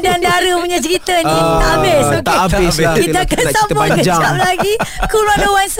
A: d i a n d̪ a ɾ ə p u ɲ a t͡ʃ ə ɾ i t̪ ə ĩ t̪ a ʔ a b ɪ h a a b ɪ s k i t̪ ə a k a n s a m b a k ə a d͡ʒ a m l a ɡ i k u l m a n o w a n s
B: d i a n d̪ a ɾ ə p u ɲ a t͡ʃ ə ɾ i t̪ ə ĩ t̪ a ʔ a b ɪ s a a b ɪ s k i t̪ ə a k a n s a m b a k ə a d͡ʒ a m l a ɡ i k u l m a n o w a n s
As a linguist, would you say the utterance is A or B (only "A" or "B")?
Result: B